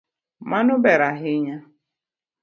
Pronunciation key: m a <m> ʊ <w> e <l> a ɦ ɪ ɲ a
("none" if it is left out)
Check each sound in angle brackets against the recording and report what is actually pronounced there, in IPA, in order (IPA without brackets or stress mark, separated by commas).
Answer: n, b, ɾ